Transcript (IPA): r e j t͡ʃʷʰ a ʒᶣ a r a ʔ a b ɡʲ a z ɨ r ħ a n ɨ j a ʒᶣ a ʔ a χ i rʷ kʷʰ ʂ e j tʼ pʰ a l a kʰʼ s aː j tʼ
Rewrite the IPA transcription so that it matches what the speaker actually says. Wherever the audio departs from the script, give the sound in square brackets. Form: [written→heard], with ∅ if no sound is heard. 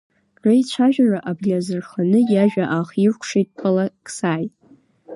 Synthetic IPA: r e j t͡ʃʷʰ a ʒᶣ a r a ʔ a b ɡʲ a z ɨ r [ħ→χ] a n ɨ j a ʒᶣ a ʔ a χ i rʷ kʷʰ ʂ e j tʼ pʰ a l a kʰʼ s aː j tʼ